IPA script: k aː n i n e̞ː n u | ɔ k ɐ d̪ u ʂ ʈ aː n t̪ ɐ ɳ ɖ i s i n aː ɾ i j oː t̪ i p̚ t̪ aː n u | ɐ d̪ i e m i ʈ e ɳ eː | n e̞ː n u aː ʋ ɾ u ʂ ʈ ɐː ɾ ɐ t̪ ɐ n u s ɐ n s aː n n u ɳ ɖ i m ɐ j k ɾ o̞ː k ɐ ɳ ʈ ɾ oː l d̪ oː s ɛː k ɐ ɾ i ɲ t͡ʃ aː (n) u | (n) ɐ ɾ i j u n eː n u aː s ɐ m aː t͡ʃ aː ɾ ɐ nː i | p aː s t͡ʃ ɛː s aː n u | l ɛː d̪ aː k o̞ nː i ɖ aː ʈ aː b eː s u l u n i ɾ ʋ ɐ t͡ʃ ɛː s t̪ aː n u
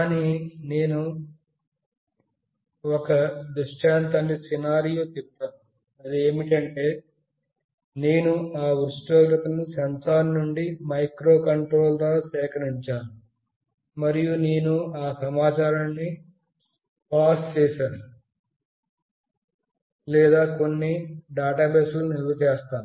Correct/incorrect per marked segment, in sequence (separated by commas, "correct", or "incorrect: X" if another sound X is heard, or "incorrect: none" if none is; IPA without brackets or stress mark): correct, incorrect: m